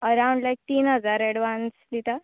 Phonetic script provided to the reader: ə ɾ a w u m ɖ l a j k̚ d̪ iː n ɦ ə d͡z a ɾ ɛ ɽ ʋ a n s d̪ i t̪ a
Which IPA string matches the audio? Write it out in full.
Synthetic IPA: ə ɾ a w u ɳ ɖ l a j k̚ t̪ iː n ɦ ə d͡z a ɾ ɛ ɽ ʋ a n s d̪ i t̪ a